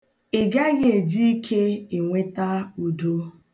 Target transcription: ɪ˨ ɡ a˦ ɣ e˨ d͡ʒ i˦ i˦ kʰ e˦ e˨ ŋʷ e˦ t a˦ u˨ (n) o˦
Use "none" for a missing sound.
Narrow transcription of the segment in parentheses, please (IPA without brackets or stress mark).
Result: d